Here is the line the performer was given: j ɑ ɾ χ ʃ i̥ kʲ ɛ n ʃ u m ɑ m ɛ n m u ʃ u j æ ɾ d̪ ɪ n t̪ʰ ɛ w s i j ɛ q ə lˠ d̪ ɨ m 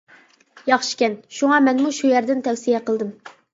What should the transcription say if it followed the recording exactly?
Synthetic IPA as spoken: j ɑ χ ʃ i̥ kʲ ɛ n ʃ u ŋ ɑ m ɛ n m u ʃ u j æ ɾ d̪ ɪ n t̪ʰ ɛ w s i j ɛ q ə lˠ d̪ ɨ m